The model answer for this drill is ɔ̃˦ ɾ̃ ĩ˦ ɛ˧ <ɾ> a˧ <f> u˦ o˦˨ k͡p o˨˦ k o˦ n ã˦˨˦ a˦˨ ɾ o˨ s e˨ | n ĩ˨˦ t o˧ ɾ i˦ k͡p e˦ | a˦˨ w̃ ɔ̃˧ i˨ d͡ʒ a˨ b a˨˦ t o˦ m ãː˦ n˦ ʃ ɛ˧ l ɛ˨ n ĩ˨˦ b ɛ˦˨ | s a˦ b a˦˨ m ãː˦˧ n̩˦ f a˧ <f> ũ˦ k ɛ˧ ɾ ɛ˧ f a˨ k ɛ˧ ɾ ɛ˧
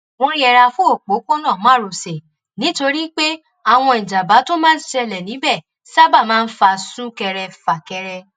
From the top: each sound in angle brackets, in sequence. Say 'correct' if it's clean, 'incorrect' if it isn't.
correct, correct, incorrect

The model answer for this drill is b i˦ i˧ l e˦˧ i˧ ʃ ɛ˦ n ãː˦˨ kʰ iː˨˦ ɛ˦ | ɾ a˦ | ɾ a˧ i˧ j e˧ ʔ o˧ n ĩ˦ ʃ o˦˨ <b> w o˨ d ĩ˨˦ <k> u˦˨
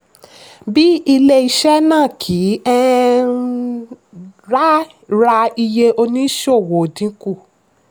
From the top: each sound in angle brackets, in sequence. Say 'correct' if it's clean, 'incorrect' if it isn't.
incorrect, correct

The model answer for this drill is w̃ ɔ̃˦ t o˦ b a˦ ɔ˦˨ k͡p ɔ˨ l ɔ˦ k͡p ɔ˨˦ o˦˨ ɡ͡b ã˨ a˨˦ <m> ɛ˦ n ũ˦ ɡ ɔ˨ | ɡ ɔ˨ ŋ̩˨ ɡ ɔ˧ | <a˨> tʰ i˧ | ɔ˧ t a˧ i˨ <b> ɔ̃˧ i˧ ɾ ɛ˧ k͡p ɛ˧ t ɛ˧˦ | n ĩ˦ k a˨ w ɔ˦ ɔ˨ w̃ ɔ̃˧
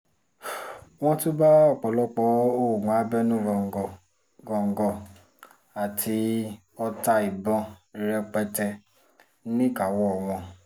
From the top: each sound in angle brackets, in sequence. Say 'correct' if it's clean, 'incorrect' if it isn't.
incorrect, correct, correct

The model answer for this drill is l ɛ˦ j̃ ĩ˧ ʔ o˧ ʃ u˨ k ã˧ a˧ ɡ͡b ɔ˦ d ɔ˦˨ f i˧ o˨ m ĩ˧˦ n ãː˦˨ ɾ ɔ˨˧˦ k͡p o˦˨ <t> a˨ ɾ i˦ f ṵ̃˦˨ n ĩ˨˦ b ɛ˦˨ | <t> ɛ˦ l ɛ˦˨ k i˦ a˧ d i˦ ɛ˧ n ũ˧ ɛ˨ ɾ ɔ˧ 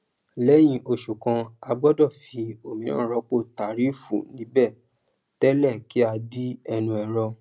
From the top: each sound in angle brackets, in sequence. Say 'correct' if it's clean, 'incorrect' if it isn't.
correct, correct

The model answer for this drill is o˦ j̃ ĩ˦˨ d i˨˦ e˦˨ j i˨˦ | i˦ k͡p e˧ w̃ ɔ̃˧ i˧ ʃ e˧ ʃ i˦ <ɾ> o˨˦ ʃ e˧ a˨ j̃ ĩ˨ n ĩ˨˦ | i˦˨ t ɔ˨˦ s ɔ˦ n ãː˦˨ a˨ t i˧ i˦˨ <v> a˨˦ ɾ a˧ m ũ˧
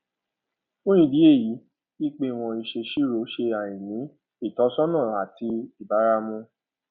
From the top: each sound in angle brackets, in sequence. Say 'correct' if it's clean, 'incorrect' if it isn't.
correct, incorrect

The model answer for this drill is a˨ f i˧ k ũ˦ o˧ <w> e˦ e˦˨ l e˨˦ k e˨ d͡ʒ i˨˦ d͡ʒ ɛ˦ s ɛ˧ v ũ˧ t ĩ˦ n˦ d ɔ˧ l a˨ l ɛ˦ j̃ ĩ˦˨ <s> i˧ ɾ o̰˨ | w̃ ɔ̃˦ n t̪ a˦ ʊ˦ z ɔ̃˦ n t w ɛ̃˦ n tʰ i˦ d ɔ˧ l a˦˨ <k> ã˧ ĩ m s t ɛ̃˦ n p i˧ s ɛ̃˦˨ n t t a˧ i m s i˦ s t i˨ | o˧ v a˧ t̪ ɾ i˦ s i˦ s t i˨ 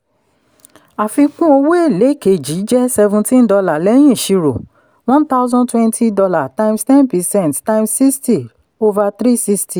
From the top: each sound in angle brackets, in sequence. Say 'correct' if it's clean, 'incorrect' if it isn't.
correct, incorrect, incorrect

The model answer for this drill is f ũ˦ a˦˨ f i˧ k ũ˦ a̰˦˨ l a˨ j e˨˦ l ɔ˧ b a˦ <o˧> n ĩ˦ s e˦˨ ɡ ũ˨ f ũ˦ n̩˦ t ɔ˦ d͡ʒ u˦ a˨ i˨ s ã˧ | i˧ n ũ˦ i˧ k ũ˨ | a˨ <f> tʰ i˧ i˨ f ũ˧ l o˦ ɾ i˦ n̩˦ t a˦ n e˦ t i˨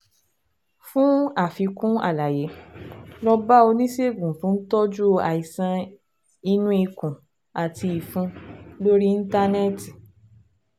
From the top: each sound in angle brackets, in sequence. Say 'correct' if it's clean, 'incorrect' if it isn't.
correct, incorrect

